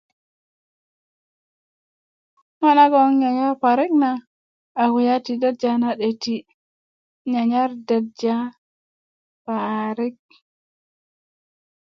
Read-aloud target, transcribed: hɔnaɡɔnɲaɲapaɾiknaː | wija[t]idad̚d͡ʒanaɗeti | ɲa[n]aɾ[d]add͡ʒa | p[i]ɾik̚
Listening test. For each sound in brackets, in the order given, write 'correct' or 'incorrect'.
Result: correct, incorrect: ɲ, correct, incorrect: a

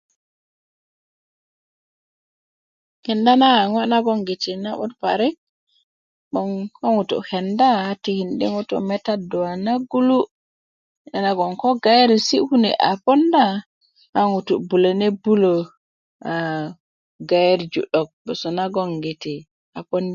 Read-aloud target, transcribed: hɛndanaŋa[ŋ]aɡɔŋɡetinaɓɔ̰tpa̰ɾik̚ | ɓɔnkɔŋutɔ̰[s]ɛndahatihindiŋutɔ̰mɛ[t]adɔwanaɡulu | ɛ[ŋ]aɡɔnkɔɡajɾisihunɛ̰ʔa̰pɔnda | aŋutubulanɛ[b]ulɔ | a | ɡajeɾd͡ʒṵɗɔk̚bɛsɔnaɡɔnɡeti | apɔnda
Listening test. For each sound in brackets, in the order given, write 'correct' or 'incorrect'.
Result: incorrect: n, incorrect: h, correct, incorrect: n, correct

